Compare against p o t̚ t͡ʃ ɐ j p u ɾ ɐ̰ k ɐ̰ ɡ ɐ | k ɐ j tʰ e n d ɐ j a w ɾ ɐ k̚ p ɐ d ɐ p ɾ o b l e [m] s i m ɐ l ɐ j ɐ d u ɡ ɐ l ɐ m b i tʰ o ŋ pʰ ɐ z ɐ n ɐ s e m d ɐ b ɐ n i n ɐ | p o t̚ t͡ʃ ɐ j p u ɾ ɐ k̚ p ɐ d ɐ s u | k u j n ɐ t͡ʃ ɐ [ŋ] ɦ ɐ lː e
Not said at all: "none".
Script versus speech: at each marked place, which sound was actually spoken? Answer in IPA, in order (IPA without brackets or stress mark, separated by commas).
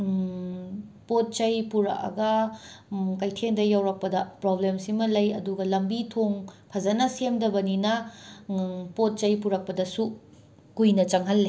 m, ŋ